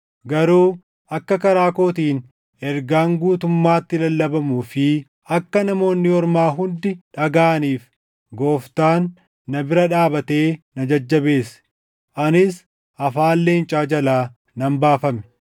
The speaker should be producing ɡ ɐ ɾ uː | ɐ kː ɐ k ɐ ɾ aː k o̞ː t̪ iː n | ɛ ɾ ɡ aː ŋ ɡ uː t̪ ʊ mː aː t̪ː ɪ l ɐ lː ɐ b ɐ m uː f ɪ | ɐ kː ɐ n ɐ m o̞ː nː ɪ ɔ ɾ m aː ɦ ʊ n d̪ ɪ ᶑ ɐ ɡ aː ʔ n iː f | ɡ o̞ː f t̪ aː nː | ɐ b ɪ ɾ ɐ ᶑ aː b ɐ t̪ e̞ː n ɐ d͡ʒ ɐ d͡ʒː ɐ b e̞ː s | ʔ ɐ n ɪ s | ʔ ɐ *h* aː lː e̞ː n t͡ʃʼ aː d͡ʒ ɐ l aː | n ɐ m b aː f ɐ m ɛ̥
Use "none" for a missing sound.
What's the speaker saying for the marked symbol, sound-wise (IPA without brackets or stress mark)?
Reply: f